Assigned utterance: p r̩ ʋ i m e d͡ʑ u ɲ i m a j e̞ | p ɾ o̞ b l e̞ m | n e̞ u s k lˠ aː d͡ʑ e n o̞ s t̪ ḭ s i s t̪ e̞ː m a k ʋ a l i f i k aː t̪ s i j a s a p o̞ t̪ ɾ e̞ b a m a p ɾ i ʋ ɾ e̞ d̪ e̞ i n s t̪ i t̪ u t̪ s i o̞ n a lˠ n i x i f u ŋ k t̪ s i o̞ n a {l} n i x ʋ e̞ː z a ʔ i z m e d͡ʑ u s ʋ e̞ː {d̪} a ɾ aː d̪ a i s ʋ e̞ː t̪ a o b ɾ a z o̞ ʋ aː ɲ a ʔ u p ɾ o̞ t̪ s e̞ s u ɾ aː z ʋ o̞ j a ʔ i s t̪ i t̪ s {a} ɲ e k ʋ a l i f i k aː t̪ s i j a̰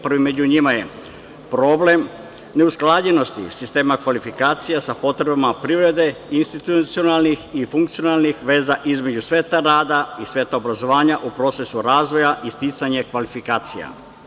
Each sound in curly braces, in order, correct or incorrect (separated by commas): correct, incorrect, correct